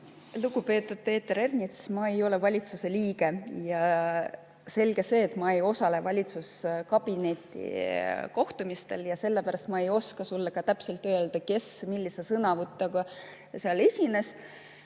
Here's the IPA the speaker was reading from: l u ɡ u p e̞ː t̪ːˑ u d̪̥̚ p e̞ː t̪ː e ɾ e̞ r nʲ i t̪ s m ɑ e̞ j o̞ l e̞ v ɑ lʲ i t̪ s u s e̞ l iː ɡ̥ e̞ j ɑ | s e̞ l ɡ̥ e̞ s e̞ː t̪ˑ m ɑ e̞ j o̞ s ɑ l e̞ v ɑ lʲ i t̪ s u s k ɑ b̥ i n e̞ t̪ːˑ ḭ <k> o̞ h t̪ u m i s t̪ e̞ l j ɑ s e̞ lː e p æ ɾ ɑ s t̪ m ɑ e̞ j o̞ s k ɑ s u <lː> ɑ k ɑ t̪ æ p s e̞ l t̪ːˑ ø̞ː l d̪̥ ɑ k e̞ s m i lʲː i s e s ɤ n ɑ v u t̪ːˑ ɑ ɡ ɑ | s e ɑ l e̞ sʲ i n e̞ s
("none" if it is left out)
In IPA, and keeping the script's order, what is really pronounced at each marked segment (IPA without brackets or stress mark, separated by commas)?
k, lː